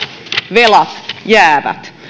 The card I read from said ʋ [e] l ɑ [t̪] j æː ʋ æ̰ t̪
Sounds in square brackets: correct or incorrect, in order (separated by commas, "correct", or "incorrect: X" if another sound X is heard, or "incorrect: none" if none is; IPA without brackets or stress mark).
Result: correct, correct